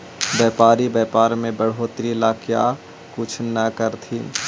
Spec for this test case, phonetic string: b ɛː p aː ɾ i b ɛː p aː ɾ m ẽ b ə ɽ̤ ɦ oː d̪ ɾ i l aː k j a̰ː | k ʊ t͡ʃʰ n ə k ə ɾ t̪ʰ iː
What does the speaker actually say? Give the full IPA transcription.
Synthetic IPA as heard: b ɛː p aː ɾ i b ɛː p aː ɾ m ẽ b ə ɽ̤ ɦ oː t̪ ɾ i l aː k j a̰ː | k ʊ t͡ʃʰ n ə k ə ɾ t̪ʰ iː

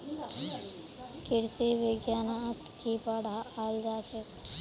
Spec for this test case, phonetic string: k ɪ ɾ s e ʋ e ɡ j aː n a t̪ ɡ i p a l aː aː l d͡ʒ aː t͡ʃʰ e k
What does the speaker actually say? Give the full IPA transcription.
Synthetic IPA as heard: k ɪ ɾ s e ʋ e ɡ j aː n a t̪ k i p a ɽ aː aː l d͡ʒ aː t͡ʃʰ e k

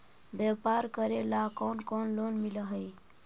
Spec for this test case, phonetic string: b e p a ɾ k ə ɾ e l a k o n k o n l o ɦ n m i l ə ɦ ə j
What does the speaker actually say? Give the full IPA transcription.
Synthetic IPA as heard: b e p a ɾ k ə ɾ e l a k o n k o n l o n m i l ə ɦ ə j

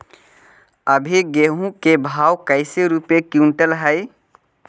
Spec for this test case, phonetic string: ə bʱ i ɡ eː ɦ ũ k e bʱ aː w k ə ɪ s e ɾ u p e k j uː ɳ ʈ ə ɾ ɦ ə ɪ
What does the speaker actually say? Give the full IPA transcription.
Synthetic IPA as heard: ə bʱ i ɡ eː ɦ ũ k e bʱ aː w k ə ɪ s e ɾ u p e k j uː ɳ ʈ ə l ɦ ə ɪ

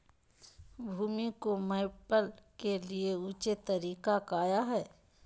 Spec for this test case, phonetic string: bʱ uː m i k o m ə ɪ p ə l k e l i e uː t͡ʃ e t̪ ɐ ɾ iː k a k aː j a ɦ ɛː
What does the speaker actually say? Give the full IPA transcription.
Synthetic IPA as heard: bʱ uː m i k o m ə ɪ p ə l k e l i e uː t͡ʃ e t̪ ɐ ɾ iː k a k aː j a ɦ ɛː

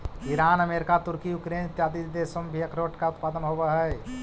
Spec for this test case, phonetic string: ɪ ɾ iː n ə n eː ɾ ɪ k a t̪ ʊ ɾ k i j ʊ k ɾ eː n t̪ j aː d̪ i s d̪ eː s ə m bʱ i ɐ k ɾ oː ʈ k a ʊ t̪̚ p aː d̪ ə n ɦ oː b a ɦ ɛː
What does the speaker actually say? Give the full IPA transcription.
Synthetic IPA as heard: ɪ ɾ aː n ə m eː ɾ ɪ k a t̪ ʊ ɾ k i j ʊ k ɾ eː n t̪ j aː d̪ i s d̪ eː s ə m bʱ i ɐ k ɾ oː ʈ k a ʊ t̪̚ p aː d̪ ə n ɦ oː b a ɦ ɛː

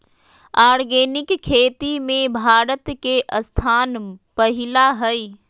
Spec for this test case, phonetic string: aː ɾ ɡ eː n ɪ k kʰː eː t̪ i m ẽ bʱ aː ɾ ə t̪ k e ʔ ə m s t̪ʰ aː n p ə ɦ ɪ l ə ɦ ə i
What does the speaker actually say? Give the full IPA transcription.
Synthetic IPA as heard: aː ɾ ɡ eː n ɪ k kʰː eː t̪ i m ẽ bʱ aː ɾ ə t̪ k e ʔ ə s t̪ʰ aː n p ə ɦ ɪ l a ɦ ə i

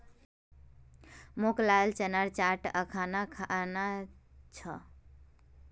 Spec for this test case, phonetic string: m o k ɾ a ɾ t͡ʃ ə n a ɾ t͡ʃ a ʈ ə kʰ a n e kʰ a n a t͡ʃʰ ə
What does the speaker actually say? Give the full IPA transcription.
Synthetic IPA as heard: m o k l a l t͡ʃ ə n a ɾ t͡ʃ a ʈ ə kʰ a n a kʰ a n a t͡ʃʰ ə

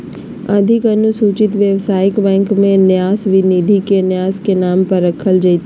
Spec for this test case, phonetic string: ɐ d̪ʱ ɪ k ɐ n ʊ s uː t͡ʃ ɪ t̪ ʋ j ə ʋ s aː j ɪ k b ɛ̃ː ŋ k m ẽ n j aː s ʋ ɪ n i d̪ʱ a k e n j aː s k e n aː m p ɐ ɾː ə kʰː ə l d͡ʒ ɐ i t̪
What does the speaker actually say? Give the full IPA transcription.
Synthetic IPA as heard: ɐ d̪ʱ ɪ k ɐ n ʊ s uː t͡ʃ ɪ t̪ ʋ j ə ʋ s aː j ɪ k b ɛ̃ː ŋ k m ẽ n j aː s ʋ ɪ n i d̪ʱ i k e n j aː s k e n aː m p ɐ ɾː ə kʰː ə l d͡ʒ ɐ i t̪

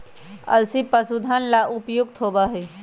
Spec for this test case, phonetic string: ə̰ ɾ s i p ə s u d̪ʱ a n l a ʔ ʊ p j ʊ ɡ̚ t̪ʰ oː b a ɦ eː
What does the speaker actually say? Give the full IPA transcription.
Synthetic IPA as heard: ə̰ l s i p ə s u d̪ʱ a n l a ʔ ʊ p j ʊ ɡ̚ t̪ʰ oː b a ɦ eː

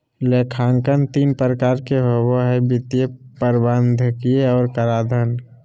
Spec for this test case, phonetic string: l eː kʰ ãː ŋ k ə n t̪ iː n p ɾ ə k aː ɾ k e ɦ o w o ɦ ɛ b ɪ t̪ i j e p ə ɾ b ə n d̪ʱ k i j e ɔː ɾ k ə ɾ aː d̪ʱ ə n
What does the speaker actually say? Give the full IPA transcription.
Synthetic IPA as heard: l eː kʰ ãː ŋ k ə n t̪ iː n p ɾ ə k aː ɾ k e ɦ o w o ɦ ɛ b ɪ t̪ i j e p ə ɾ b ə n d̪ʱ k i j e ɔː ɾ k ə ɾ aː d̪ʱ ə n

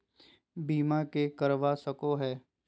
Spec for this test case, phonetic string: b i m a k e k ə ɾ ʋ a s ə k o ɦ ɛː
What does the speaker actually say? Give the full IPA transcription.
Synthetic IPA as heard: b iː m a k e k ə ɾ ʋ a s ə k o ɦ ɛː

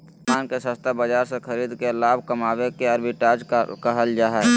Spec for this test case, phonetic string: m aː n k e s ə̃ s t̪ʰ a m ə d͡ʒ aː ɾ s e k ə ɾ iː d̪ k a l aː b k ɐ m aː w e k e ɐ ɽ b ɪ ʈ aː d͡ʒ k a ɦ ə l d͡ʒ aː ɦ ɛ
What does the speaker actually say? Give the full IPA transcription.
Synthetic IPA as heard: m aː n k e s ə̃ s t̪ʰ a b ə d͡ʒ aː ɾ s e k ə ɾ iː d̪ k e l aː b k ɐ m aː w e k e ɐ ɾ b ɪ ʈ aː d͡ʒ k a ɦ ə l d͡ʒ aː ɦ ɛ

